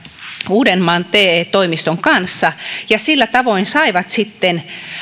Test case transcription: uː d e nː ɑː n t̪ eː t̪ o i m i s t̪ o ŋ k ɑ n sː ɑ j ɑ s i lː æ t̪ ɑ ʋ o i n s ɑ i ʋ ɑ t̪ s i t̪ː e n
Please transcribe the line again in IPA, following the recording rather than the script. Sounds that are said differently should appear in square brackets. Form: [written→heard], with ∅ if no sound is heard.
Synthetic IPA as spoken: uː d e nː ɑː n t̪ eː t̪ o i m i s t̪ o ŋ k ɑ n sː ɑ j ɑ s i lː æ t̪ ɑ ʋ o i n s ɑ i ʋ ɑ t̪ s i t̪ː e n